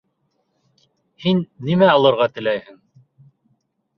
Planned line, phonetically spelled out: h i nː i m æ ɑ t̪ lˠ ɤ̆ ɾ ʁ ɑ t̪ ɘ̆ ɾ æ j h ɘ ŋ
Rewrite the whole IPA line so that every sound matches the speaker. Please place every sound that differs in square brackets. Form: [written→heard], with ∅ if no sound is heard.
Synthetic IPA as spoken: h i nː i m æ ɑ [t̪→∅] lˠ ɤ̆ ɾ ʁ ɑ t̪ ɘ̆ [ɾ→l] æ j h ɘ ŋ